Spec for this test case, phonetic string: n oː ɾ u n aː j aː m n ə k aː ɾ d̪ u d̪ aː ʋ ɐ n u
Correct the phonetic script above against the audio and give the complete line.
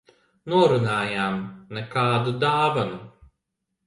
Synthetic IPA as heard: n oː ɾ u n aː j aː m n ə k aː d̪ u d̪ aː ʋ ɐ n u